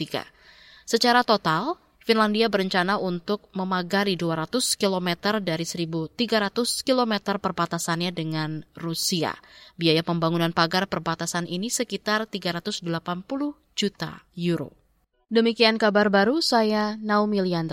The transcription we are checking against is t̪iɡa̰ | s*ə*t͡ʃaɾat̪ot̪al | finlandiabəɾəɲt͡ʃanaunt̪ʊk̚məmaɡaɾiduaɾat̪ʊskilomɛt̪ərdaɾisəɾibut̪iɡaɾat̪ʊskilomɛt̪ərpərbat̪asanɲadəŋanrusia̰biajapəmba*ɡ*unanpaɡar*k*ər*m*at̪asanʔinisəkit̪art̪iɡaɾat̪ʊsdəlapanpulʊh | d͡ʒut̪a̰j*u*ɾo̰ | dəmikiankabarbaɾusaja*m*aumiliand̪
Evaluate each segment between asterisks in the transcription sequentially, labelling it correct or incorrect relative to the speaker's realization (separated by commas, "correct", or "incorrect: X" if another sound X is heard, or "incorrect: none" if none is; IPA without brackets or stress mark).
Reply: correct, incorrect: ŋ, incorrect: p, incorrect: b, correct, incorrect: n